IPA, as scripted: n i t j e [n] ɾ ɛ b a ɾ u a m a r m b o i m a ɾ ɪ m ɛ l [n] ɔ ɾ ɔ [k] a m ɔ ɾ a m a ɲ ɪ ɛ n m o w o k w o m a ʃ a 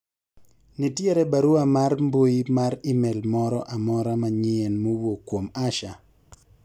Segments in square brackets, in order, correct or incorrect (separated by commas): incorrect, incorrect, incorrect